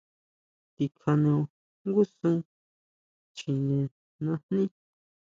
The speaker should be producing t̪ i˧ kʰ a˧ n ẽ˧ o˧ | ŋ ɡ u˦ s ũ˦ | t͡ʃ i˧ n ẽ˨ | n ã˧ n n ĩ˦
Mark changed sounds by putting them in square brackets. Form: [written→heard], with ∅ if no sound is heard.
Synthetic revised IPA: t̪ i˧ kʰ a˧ n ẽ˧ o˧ | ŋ ɡ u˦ s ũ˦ | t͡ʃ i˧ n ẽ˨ | n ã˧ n n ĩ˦

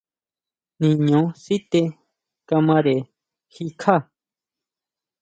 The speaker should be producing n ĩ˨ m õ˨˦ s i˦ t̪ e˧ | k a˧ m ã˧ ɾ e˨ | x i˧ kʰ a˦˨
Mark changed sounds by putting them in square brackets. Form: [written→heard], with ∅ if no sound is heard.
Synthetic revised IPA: n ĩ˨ [m→ɲ] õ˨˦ s i˦ t̪ e˧ | k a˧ m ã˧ ɾ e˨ | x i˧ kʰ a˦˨

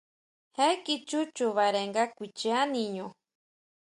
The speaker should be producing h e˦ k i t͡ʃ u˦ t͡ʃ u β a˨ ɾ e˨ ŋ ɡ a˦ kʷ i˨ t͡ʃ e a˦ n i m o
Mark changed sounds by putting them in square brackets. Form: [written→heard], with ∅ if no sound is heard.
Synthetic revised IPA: h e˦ k i t͡ʃ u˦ t͡ʃ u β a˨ ɾ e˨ ŋ ɡ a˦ kʷ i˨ t͡ʃ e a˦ n i [m→ɲ] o

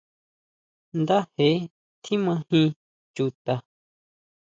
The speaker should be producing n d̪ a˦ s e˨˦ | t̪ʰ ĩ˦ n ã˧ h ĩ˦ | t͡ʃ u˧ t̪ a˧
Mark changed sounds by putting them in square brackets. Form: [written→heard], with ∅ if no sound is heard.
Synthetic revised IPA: n d̪ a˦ [s→h] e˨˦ | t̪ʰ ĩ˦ [n→m] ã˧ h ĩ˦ | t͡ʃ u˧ t̪ a˧

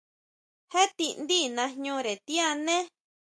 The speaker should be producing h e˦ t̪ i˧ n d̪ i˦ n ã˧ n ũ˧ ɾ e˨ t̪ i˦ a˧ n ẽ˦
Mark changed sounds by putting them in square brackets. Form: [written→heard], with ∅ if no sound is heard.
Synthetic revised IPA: h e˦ t̪ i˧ n d̪ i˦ n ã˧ [n→ɲ] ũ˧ ɾ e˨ t̪ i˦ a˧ n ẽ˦

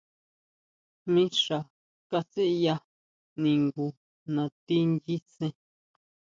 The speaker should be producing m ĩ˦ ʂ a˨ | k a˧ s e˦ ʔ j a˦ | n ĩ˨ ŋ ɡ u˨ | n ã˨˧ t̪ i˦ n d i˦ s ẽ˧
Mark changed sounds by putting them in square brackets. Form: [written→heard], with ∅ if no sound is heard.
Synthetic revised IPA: m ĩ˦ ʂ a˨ | k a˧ s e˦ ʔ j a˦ | n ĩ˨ ŋ ɡ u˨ | n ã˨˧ t̪ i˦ n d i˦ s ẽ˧

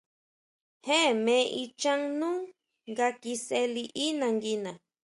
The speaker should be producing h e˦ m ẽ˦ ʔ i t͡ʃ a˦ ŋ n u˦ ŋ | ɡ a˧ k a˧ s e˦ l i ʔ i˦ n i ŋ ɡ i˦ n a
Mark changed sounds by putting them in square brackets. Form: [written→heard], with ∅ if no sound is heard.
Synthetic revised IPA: h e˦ m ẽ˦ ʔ i t͡ʃ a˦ ŋ n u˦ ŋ | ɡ a˧ k [a˧→i˧] s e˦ l i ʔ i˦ n [i→a] ŋ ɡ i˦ n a

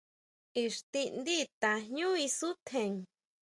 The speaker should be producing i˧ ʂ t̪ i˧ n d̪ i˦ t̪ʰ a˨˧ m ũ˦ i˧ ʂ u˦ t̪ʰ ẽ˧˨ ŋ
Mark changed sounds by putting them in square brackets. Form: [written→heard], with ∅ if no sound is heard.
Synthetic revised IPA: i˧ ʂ t̪ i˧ n d̪ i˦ [t̪ʰ→t̪] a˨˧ [m→ɲ] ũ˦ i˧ [ʂ→s] u˦ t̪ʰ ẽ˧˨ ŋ

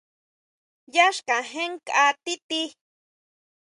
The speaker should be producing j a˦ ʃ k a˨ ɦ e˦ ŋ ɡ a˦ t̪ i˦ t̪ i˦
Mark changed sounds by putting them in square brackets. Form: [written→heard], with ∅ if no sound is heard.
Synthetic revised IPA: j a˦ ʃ k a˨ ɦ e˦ ŋ [ɡ→k] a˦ t̪ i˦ t̪ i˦

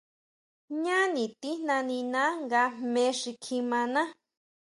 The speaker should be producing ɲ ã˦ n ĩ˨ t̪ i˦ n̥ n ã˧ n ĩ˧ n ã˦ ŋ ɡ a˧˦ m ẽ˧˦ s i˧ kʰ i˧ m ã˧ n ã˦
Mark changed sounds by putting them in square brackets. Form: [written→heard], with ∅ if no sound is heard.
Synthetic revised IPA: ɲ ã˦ n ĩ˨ t̪ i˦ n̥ n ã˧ n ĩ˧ n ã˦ ŋ ɡ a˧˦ m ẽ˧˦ [s→ʂ] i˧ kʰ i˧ m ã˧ n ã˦

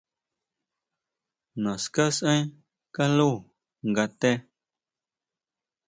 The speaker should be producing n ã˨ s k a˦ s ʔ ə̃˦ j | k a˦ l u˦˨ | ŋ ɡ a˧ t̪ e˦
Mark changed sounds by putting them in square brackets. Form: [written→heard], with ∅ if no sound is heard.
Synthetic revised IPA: n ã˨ s k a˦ s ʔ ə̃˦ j | k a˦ l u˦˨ | ŋ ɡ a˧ t̪ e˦

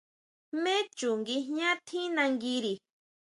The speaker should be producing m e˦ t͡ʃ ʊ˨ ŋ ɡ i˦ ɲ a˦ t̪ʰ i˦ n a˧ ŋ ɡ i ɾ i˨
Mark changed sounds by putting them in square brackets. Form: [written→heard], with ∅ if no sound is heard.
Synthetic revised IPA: m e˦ t͡ʃ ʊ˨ ŋ ɡ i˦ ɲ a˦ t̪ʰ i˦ n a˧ ŋ ɡ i ɾ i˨

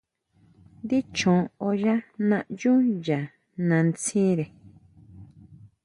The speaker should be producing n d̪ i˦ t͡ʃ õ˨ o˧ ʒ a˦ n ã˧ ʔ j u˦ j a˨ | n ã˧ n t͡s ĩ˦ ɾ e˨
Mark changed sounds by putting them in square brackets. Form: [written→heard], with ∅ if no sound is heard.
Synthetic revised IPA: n d̪ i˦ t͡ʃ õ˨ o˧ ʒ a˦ n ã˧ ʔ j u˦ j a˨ | n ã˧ n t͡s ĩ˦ ɾ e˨

